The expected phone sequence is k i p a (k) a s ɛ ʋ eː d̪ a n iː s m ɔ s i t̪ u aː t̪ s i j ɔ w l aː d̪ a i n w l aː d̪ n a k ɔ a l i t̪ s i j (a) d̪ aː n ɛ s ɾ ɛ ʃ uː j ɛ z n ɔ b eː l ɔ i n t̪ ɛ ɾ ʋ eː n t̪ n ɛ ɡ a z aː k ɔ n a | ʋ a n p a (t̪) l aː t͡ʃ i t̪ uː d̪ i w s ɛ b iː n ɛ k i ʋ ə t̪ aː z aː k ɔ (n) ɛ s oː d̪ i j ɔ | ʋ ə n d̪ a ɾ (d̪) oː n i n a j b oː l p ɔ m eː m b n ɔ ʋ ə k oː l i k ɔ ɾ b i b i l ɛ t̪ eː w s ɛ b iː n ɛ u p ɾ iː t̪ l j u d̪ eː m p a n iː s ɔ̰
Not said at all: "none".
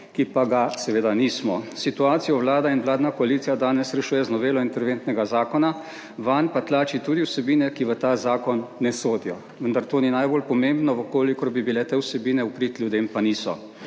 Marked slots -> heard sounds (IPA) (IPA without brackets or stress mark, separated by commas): ɡ, a, t̪, nː, t̪